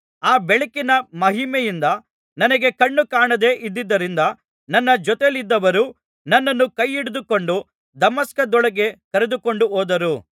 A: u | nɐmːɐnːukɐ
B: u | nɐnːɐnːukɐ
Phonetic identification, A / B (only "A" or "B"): B